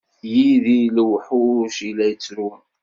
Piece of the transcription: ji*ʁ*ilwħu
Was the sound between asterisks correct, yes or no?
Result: no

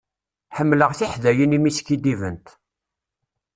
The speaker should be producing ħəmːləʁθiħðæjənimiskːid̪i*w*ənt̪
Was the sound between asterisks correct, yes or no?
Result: no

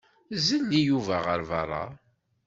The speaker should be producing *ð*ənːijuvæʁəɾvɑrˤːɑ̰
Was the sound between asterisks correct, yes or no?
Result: no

